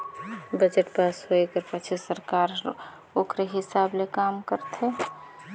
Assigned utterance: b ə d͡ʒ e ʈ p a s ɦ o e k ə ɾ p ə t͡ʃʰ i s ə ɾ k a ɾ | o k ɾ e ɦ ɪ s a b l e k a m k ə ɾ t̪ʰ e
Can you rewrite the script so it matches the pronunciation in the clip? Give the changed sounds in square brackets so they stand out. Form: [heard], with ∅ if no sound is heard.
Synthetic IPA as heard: b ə d͡ʒ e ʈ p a s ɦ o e k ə ɾ p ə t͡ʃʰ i s ə ɾ k a ɾ | o k ɾ e ɦ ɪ s a b l e k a m k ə ɾ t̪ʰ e